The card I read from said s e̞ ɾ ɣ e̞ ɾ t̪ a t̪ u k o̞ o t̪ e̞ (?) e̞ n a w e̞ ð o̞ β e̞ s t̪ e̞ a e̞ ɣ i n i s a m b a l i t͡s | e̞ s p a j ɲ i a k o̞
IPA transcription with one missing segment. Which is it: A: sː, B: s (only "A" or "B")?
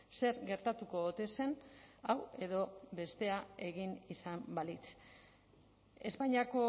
B